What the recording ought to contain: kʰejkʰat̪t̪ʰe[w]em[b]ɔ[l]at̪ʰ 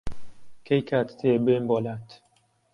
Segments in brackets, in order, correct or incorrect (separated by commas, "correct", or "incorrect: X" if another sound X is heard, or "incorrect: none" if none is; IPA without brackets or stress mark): incorrect: b, correct, correct